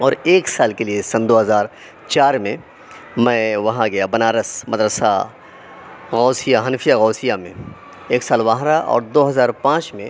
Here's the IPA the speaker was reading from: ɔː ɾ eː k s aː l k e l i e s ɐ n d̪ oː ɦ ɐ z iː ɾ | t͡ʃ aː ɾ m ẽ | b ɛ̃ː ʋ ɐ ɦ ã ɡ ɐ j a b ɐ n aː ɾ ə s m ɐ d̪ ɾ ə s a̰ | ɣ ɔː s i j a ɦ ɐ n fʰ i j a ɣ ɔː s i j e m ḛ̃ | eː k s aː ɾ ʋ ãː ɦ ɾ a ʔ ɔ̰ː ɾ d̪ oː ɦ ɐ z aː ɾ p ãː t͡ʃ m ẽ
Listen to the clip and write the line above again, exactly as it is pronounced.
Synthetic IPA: ɔː ɾ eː k s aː l k e l i e s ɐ n d̪ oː ɦ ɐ z aː ɾ | t͡ʃ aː ɾ m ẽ | m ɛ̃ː ʋ ɐ ɦ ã ɡ ɐ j a b ɐ n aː ɾ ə s m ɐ d̪ ɾ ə s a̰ | ɣ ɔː s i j a ɦ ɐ n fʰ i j a ɣ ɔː s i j a m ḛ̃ | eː k s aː l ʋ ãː ɦ ɾ a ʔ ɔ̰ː ɾ d̪ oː ɦ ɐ z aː ɾ p ãː t͡ʃ m ẽ